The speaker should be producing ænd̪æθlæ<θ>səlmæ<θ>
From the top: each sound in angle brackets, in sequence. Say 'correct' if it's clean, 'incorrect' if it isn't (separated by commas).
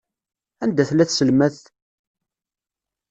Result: correct, correct